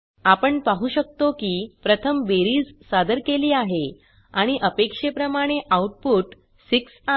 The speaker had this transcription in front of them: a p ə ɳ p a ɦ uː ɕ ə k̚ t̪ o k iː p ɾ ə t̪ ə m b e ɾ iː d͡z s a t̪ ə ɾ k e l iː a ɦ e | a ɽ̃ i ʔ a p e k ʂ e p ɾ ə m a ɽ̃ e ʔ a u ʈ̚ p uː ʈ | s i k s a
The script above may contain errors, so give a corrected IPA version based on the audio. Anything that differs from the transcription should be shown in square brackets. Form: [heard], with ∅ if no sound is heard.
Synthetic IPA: a p ə ɳ p a ɦ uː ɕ ə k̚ t̪ o k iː p ɾ ə [t̪ʰ] ə m b e ɾ iː d͡z s a [d̪] ə ɾ k e l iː a ɦ e | a ɽ̃ i ʔ [ə] p e k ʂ e p ɾ ə m a ɽ̃ e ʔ a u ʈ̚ p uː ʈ | s i k s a